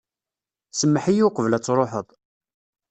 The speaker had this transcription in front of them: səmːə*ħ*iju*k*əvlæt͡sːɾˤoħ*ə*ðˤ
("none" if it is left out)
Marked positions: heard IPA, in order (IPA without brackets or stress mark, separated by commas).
ħ, q, ə